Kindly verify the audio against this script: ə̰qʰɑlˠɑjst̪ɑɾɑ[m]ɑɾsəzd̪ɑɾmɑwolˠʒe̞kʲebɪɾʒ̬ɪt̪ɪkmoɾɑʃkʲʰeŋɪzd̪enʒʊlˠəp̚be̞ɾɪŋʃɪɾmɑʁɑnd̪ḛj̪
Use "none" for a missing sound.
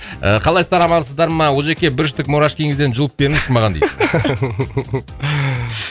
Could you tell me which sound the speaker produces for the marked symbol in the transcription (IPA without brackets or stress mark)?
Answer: m